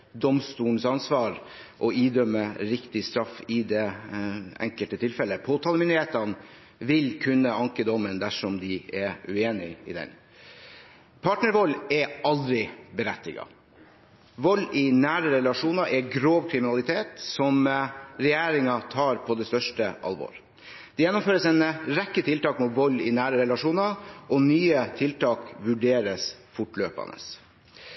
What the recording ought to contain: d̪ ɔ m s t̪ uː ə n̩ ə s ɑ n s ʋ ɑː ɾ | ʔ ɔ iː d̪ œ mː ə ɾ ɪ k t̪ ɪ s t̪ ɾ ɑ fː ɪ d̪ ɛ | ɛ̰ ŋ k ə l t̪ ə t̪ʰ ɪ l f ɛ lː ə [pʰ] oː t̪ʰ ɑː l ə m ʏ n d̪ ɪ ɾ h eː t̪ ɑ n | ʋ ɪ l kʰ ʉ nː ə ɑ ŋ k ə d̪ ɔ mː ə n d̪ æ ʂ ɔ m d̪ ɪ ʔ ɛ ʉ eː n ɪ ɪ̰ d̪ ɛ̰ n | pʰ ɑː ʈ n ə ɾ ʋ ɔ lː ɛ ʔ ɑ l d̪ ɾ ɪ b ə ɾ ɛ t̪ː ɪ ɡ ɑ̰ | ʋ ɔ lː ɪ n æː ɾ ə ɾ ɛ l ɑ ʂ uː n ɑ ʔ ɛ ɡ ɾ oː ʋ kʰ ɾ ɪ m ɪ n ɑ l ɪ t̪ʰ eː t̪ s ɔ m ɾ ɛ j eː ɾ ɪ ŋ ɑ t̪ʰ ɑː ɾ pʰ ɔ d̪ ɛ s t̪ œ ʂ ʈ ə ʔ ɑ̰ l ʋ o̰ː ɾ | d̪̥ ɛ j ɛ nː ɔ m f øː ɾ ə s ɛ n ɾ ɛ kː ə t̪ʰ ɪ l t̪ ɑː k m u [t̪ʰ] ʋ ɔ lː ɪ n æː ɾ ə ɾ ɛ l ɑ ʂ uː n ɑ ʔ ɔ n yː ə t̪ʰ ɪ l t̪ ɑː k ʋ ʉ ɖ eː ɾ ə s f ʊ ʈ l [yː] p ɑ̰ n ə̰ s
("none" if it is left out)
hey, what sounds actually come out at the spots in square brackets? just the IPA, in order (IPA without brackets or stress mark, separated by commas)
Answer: pʰ, t̪, øː